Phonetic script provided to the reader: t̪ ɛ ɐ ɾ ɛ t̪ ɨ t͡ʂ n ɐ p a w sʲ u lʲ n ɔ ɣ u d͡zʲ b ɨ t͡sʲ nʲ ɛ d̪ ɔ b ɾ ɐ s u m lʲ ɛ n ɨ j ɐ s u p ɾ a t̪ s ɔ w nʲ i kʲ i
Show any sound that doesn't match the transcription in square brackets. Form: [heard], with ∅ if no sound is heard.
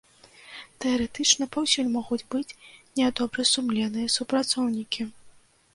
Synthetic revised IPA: t̪ ɛ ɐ ɾ ɛ t̪ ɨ t͡ʂ n ɐ p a w sʲ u lʲ [m] ɔ ɣ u d͡zʲ b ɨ t͡sʲ nʲ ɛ d̪ ɔ b ɾ ɐ s u m lʲ ɛ n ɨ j ɐ s u p ɾ a t̪ s ɔ w nʲ i kʲ i